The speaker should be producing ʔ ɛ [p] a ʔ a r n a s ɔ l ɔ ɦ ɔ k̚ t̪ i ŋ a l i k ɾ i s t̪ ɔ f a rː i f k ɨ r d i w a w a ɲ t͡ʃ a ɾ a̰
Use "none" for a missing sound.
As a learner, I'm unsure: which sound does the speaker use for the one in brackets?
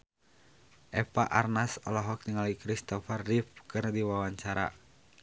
p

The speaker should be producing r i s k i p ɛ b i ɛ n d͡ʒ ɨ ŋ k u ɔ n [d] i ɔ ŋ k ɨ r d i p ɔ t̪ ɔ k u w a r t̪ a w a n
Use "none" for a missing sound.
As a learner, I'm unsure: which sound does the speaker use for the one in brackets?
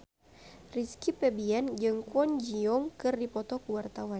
d͡ʒ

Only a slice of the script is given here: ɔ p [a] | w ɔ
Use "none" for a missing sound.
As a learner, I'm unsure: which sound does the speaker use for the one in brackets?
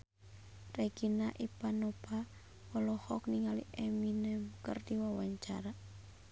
a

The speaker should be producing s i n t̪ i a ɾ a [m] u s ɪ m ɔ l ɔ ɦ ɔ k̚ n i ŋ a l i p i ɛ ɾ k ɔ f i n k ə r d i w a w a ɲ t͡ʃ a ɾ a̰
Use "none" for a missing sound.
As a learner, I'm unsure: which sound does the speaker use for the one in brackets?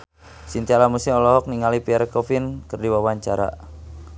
m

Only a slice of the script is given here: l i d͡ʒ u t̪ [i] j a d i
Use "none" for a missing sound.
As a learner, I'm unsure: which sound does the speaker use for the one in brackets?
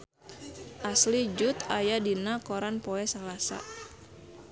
a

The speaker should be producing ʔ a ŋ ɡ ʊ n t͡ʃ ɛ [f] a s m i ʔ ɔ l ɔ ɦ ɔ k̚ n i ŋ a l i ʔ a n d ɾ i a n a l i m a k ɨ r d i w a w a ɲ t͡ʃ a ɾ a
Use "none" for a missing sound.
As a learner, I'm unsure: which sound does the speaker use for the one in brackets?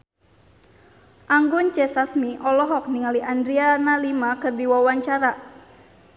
s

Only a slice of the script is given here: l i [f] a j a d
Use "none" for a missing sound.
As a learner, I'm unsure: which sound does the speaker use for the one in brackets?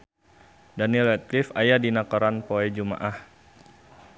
f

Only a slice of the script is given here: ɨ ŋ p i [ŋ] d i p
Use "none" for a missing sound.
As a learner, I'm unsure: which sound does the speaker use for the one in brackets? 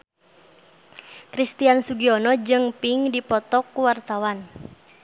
ŋ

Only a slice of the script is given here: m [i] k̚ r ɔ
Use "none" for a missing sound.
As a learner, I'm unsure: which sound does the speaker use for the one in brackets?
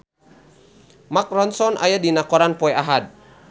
a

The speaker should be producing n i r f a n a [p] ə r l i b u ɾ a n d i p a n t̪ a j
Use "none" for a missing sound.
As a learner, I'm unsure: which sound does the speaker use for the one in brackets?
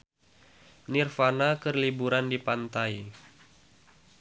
k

